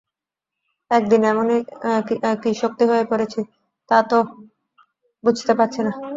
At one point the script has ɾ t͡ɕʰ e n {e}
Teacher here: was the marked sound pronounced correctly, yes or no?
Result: no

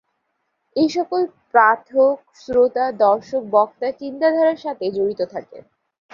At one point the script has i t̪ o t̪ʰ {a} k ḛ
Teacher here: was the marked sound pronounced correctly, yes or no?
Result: yes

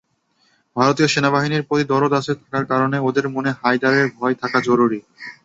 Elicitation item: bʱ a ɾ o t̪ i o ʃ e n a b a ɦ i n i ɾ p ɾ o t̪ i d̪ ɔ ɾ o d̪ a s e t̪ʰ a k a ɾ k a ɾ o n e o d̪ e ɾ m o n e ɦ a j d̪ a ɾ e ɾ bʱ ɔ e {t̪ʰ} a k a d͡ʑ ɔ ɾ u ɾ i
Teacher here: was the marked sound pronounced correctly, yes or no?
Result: yes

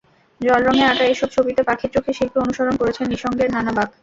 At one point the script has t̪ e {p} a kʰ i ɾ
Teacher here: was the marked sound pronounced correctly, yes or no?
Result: yes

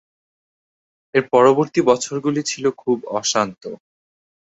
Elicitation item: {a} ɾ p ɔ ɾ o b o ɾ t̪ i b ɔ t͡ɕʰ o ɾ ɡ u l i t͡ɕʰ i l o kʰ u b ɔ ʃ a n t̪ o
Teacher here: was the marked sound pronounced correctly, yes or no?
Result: no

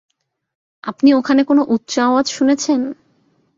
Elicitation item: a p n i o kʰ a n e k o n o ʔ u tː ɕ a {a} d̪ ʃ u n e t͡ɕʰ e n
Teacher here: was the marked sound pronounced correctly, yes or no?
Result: yes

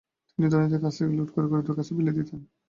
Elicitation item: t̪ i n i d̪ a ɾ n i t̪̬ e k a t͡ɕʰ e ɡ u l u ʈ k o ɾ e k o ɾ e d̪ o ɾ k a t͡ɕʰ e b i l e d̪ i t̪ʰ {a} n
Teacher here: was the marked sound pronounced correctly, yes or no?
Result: no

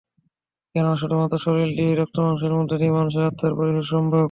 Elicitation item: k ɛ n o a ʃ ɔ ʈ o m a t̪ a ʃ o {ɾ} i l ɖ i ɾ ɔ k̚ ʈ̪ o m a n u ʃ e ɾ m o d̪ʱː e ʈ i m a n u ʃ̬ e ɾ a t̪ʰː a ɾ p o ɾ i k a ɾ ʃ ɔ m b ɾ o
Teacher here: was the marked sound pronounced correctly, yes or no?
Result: yes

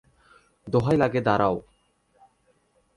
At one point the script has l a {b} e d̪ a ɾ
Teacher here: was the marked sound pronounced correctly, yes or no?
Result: no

